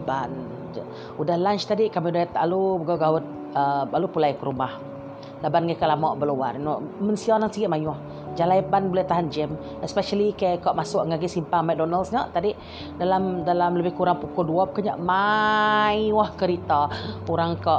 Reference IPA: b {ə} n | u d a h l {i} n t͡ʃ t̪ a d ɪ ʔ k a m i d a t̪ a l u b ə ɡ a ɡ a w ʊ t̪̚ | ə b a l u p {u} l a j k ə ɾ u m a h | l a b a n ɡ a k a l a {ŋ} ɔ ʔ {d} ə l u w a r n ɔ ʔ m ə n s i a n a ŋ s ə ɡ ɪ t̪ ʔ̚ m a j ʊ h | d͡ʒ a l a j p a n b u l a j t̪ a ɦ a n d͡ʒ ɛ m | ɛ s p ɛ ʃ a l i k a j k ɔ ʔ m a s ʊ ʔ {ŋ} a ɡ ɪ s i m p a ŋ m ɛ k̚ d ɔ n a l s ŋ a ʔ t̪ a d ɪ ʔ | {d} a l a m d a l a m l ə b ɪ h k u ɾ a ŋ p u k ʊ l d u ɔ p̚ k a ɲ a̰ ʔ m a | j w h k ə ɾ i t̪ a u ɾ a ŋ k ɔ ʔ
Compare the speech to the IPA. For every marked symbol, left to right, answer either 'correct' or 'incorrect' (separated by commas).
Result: incorrect, incorrect, correct, incorrect, incorrect, correct, correct